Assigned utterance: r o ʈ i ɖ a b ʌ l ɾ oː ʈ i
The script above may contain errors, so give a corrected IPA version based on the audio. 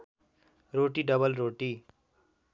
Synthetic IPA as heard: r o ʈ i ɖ ʌ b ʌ l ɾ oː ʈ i